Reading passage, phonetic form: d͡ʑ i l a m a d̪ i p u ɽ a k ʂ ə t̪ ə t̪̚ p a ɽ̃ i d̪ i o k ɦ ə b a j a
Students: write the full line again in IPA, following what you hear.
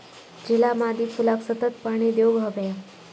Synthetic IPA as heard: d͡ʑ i l a m a d̪ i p u l a k s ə t̪ ə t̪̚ p a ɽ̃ i d̪ j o ɡ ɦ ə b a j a